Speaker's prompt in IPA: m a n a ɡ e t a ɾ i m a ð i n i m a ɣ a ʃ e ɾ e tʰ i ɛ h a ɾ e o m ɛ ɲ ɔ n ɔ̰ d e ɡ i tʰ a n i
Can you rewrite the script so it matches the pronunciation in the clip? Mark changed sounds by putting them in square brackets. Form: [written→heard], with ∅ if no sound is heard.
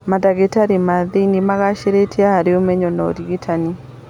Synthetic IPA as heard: m a [n→d] a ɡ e t a ɾ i m a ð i n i m a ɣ a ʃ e ɾ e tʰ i [ɛ→a] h a ɾ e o m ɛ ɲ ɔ n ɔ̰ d [e→i] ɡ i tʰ a n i